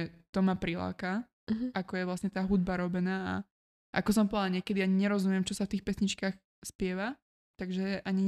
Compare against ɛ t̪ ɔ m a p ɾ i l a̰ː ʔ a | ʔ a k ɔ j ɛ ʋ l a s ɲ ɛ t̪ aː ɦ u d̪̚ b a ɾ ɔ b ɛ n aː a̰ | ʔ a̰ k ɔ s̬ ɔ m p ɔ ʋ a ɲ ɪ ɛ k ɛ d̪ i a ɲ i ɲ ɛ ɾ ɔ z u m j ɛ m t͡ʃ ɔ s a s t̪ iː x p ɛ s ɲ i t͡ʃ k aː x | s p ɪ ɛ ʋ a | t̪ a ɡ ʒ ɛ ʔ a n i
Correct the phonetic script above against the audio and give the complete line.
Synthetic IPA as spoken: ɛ t̪ ɔ m a p ɾ i l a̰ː k a | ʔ a k ɔ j ɛ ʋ l a s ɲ ɛ t̪ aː ɦ u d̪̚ b a ɾ ɔ b ɛ n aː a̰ | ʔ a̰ k ɔ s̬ ɔ m p ɔ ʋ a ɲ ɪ ɛ k ɛ d̪ i a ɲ i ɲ ɛ ɾ ɔ z u m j ɛ m t͡ʃ ɔ s a f t̪ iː x p ɛ s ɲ i t͡ʃ k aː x | s p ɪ ɛ ʋ a | t̪ a ɡ ʒ ɛ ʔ a ɲ i